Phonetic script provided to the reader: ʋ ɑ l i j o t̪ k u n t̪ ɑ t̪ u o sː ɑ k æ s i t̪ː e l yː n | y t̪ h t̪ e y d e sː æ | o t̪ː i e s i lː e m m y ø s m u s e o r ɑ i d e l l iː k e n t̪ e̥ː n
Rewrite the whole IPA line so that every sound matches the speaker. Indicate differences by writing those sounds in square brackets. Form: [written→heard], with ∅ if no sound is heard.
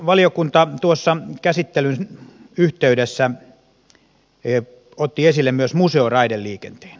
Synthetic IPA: ʋ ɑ l i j o [t̪→∅] k u n t̪ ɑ t̪ u o sː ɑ k æ s i t̪ː e l [yː→y] n | y [t̪→∅] h t̪ e y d e sː æ | o t̪ː i e s i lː e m m y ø s m u s e o r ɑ i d e l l iː k e n t̪ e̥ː n